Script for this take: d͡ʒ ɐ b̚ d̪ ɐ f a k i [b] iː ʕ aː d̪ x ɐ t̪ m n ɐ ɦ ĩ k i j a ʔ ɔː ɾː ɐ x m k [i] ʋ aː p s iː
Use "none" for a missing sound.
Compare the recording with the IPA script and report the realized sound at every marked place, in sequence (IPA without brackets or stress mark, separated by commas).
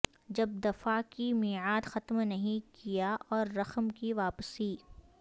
m, i